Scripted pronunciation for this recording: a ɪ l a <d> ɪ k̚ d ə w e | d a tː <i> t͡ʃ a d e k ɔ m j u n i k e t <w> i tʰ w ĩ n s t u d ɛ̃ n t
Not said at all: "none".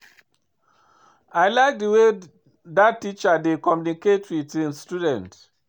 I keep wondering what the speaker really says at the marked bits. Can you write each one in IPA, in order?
none, i, w

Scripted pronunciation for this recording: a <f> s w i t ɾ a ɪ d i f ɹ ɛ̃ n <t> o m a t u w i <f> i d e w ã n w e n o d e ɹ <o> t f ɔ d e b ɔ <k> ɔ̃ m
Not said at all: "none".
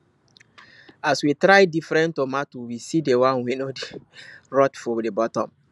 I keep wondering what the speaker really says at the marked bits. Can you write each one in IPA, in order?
none, t, s, ɔ, t

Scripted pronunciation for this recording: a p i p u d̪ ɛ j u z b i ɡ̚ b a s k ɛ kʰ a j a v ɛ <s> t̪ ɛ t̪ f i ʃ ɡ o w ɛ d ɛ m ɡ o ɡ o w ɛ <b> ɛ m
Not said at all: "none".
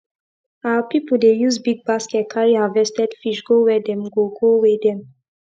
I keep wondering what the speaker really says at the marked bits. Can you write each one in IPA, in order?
s, d

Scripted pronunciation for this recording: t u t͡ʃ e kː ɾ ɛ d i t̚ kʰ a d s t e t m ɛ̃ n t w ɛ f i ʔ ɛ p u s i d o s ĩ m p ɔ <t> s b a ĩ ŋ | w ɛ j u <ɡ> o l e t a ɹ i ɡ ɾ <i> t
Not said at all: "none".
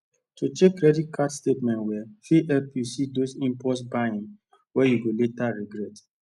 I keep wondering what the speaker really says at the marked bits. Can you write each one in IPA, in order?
t, ɡ, ɛ

